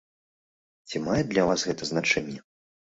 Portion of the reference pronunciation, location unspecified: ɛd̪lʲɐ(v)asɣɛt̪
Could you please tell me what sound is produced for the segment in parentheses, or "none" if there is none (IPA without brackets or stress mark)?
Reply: v